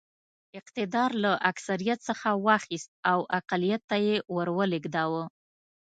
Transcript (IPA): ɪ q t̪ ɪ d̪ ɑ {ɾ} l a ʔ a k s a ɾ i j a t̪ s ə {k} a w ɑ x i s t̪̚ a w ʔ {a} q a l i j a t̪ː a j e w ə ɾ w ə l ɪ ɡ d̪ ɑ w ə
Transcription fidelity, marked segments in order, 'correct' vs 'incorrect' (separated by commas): correct, incorrect, correct